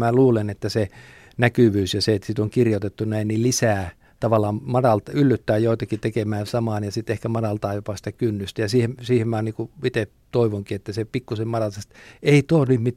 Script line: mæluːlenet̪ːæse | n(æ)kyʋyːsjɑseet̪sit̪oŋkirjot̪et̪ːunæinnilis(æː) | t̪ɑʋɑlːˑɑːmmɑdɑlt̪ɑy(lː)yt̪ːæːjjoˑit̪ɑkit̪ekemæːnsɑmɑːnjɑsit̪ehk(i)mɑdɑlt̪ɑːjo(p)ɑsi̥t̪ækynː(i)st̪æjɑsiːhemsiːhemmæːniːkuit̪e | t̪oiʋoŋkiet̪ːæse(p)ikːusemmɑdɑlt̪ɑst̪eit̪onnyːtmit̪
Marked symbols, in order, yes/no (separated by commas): yes, yes, yes, no, yes, no, yes